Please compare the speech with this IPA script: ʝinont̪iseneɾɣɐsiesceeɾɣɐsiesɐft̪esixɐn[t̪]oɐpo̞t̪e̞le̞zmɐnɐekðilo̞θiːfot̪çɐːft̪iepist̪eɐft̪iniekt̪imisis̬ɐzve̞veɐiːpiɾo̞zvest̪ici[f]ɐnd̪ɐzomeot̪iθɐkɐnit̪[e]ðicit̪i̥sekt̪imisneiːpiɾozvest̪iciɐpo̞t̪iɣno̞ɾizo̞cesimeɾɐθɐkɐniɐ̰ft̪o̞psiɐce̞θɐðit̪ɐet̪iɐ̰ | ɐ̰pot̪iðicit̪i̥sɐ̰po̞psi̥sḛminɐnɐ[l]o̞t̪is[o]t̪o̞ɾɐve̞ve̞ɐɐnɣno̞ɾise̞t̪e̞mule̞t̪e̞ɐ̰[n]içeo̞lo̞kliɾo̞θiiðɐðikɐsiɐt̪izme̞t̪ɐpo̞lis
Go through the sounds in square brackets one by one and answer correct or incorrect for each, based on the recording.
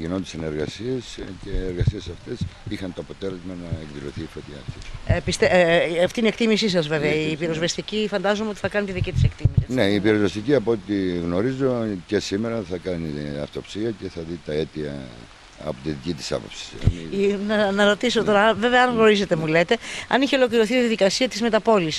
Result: correct, correct, incorrect: i, incorrect: ɾ, correct, correct

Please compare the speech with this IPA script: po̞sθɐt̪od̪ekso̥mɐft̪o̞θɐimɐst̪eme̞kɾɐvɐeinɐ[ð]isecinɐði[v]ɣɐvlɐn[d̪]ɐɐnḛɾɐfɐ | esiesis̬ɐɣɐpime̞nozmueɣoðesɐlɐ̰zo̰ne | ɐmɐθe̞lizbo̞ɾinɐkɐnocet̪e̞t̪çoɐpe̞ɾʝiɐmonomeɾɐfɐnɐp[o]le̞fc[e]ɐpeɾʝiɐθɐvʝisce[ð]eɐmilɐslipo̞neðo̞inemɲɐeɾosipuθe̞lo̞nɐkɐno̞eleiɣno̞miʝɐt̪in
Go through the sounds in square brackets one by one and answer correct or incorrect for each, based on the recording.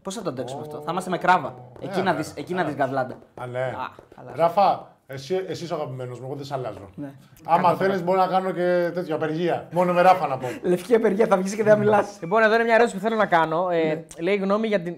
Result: correct, incorrect: z, correct, correct, incorrect: i, correct

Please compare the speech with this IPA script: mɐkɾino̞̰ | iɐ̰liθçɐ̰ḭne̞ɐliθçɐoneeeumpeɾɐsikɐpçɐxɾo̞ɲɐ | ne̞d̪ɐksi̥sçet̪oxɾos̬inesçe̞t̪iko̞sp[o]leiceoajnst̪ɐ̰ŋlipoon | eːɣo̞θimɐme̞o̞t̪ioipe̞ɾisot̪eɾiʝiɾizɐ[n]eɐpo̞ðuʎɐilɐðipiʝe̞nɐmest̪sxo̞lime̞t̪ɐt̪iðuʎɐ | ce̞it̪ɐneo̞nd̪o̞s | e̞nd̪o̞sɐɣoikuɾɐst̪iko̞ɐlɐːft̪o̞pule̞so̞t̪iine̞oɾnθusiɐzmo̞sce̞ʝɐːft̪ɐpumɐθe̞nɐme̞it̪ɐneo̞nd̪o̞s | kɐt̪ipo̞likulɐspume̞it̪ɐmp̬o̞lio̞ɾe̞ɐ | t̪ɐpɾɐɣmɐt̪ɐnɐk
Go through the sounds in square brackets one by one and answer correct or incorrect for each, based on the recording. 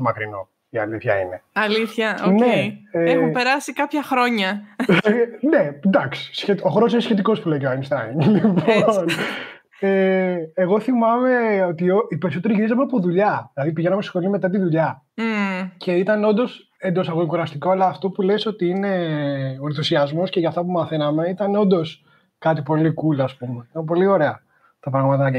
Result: incorrect: u, incorrect: m

